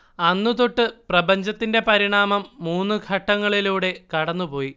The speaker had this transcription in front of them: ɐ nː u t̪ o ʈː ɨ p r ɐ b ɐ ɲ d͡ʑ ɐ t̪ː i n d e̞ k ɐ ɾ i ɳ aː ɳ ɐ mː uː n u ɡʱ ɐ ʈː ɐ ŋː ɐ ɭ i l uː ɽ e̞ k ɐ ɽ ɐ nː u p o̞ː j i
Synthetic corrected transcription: ɐ nː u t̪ o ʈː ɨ p r ɐ b ɐ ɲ d͡ʑ ɐ t̪ː i n d e̞ p ɐ ɾ i ɳ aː m ɐ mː uː nː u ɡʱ ɐ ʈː ɐ ŋː ɐ ɭ i l uː ɽ e̞ k ɐ ɽ ɐ nː u p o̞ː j i

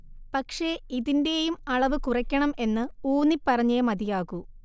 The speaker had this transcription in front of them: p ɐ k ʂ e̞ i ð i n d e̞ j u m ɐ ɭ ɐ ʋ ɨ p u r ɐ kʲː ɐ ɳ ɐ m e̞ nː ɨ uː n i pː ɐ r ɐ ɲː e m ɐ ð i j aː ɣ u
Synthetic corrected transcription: p ɐ k ʂ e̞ i ð i n d e̞ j u m ɐ ɭ ɐ ʋ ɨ k u r ɐ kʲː ɐ ɳ ɐ m e̞ nː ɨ uː n i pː ɐ r ɐ ɲː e m ɐ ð i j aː ɣ u

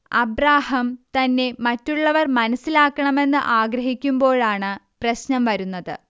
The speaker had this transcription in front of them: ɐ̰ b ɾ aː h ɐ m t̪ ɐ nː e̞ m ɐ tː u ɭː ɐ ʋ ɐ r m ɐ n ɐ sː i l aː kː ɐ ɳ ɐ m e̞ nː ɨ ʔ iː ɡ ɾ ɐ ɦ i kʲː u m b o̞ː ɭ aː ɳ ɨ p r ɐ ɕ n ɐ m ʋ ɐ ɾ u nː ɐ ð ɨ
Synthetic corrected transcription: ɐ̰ b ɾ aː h ɐ m t̪ ɐ nː e̞ m ɐ tː u ɭː ɐ ʋ ɐ r m ɐ n ɐ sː i l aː kː ɐ ɳ ɐ m e̞ nː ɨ ʔ aː ɡ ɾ ɐ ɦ i kʲː u m b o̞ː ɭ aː ɳ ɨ p r ɐ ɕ n ɐ m ʋ ɐ ɾ u nː ɐ ð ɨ

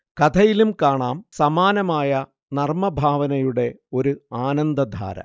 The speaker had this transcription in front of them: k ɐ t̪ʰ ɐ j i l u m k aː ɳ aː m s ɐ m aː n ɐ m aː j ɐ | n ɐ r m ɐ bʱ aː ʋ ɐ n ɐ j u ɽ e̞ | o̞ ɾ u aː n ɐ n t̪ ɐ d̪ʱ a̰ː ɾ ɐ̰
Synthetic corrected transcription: k ɐ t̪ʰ ɐ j i l u m k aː ɳ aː m s ɐ m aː n ɐ m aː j ɐ | n ɐ r m ɐ bʱ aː ʋ ɐ n ɐ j u ɽ e̞ | o̞ ɾ u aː n ɐ n d̪ ɐ d̪ʱ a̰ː ɾ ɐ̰

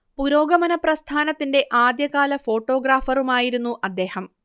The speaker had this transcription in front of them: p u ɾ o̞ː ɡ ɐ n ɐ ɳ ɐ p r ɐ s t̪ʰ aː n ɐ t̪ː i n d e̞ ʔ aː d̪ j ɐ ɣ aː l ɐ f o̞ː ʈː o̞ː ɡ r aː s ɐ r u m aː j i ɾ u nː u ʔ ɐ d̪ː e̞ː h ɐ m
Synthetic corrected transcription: p u ɾ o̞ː ɡ ɐ m ɐ n ɐ p r ɐ s t̪ʰ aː n ɐ t̪ː i n d e̞ ʔ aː d̪ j ɐ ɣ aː l ɐ f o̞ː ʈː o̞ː ɡ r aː f ɐ r u m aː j i ɾ u nː u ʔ ɐ d̪ː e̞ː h ɐ m

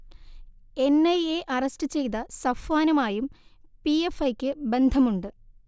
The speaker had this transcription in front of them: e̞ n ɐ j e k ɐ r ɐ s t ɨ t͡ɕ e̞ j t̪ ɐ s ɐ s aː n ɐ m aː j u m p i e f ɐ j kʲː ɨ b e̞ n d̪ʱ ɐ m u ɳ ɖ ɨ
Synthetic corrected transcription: e̞ n ɐ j e ʔ ɐ r ɐ s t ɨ t͡ɕ e̞ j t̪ ɐ s ɐ f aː n ɐ m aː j u m p i e f ɐ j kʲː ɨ b e̞ n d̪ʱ ɐ m u ɳ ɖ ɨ

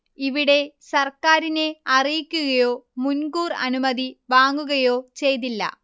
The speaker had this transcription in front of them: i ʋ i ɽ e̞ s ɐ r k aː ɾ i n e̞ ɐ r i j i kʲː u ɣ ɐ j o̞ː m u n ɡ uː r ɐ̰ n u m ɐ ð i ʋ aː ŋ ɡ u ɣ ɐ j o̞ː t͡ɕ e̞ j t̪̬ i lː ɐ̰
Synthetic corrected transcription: i ʋ i ɽ e̞ s ɐ r k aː ɾ i n e̞ ɐ r i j i kʲː u ɣ ɐ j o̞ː m u n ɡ uː r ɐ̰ n u m ɐ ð i ʋ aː ŋ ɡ u ɣ ɐ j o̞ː t͡ɕ e̞ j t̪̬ i lː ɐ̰

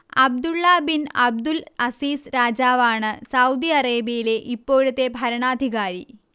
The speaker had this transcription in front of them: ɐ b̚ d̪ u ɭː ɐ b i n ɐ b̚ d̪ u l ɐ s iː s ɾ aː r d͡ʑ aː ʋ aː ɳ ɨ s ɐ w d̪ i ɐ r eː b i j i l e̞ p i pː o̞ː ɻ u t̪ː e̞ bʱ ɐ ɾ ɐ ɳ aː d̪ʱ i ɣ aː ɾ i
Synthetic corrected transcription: ɐ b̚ d̪ u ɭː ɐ b i n ɐ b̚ d̪ u l ɐ s iː s ɾ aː d͡ʑ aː ʋ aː ɳ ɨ s ɐ w d̪ i ɐ r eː b i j i l e̞ ʔ i pː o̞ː ɻ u t̪ː e̞ bʱ ɐ ɾ ɐ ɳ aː d̪ʱ i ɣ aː ɾ i

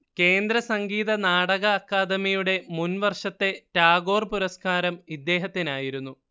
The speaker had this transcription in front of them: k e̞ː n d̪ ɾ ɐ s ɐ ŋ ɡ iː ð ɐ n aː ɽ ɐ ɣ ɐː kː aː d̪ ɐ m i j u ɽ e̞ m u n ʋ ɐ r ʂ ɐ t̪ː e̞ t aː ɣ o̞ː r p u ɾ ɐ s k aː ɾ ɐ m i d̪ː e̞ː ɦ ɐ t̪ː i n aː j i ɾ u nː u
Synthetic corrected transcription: k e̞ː n d̪ ɾ ɐ s ɐ ŋ ɡ iː ð ɐ n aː ɽ ɐ ɣ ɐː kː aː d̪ ɐ m i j u ɽ e̞ m u n ʋ ɐ r ʂ ɐ t̪ː e̞ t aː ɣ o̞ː r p u ɾ ɐ s k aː ɾ ɐ m i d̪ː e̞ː ɦ ɐ t̪ː i n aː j i ɾ u nː u

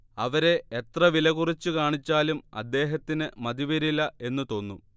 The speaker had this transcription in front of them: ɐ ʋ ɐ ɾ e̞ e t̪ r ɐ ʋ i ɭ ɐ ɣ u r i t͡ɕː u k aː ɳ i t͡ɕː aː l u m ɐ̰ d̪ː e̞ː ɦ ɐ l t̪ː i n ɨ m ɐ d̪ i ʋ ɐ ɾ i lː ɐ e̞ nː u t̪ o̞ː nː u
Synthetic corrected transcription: ɐ ʋ ɐ ɾ e̞ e t̪ r ɐ ʋ i l ɐ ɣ u r i t͡ɕː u k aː ɳ i t͡ɕː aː l u m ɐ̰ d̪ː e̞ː ɦ ɐ t̪ː i n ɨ m ɐ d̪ i ʋ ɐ ɾ i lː ɐ e̞ nː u t̪ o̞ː nː u

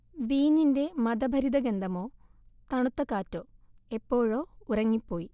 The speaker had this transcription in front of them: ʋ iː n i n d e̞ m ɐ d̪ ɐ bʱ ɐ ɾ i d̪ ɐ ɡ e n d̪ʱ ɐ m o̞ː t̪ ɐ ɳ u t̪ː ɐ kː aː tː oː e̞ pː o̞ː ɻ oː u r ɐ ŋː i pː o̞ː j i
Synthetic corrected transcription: ʋ iː n i n d e̞ m ɐ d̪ ɐ bʱ ɐ ɾ i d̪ ɐ ɡ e n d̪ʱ ɐ m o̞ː t̪ ɐ ɳ u t̪ː ɐ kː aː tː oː e̞ pː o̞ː ɻ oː u r ɐ ŋː i pː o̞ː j i

